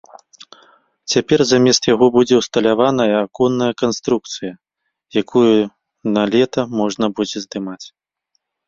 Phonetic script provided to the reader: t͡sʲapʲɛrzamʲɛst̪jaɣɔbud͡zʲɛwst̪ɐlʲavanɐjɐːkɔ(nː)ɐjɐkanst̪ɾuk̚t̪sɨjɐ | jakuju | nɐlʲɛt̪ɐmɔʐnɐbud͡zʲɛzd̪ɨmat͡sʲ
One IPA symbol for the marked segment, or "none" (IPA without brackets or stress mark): nː